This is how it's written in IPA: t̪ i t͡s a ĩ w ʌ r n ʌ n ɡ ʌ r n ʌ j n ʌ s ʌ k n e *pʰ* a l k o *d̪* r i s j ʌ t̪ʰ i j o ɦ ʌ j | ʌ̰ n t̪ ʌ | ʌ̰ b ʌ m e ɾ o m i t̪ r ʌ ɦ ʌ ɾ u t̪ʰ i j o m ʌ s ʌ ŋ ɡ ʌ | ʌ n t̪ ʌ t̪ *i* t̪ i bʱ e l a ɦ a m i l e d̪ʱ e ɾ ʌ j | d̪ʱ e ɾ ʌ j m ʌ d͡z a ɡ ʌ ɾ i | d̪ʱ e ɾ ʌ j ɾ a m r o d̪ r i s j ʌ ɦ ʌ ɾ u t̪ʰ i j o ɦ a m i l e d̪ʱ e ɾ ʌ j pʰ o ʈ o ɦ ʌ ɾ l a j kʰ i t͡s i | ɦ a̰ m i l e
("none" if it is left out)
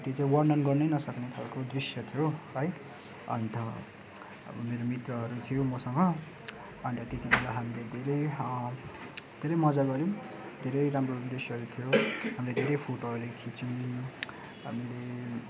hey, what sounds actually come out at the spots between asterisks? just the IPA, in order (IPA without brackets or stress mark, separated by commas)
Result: kʰ, d̪, e